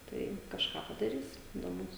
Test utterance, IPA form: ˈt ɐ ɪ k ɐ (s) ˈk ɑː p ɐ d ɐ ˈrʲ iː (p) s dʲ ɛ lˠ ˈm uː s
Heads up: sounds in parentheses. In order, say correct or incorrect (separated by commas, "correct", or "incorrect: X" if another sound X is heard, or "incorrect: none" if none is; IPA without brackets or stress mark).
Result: incorrect: ʃ, incorrect: none